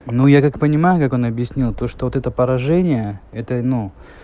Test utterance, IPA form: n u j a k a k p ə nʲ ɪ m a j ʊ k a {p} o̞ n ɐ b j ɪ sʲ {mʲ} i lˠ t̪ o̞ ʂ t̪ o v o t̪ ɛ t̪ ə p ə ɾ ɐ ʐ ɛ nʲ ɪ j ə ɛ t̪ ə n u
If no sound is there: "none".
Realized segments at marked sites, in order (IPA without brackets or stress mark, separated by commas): k, nʲ